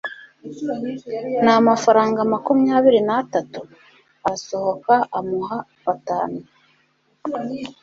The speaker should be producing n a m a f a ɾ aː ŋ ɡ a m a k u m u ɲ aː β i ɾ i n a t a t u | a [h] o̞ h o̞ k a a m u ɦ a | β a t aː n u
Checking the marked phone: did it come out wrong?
yes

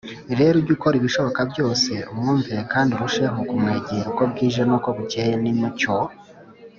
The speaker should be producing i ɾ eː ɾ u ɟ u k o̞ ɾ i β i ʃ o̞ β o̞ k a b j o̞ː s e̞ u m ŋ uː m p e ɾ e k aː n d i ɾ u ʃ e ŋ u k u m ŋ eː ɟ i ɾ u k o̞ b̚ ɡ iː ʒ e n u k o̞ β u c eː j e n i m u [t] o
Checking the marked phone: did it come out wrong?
yes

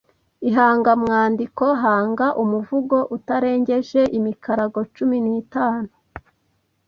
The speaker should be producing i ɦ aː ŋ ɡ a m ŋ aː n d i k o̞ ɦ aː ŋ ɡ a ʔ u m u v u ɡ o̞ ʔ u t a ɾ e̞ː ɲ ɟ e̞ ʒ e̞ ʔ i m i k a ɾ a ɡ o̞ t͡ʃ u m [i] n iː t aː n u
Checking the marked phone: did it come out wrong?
no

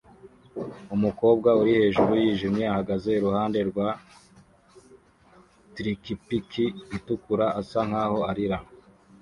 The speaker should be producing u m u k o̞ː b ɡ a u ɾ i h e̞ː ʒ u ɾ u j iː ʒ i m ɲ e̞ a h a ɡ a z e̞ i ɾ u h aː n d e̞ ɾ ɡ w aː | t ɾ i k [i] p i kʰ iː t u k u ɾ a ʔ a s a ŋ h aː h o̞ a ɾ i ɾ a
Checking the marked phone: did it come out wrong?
no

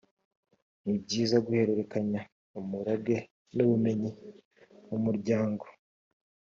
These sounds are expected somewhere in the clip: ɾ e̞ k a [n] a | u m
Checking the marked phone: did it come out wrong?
yes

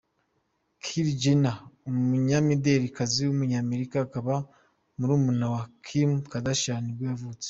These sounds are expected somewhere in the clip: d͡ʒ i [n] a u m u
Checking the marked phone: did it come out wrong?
no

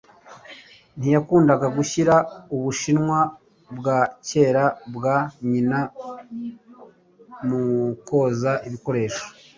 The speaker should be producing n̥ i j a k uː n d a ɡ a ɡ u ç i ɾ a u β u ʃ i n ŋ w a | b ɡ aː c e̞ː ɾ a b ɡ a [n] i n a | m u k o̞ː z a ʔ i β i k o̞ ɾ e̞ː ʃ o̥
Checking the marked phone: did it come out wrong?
yes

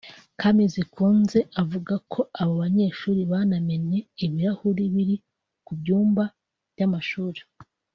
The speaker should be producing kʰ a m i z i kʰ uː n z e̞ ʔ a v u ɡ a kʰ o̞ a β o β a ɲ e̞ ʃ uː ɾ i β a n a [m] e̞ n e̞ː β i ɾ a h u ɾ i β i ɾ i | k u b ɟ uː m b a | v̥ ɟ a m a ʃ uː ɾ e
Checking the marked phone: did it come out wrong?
no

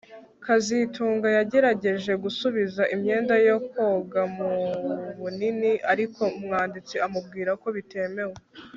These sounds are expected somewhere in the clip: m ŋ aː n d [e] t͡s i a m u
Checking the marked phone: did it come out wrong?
yes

